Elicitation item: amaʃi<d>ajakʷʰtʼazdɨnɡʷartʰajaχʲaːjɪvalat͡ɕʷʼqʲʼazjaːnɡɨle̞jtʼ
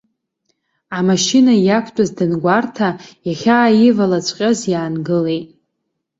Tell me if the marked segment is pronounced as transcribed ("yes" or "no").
no